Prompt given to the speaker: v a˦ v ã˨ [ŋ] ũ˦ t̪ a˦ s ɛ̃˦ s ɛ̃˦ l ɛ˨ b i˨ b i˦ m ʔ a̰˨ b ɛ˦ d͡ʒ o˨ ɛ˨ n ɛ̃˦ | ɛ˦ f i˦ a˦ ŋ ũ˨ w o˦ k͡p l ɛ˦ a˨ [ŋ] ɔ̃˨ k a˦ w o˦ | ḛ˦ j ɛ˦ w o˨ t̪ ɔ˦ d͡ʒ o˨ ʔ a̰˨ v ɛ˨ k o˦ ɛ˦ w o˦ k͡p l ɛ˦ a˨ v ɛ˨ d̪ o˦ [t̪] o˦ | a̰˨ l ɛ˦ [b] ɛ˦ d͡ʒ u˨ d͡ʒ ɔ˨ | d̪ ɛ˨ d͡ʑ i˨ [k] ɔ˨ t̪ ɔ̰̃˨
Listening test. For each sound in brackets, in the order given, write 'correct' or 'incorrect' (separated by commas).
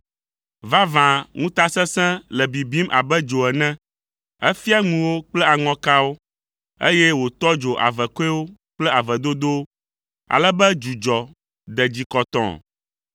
correct, correct, incorrect, correct, correct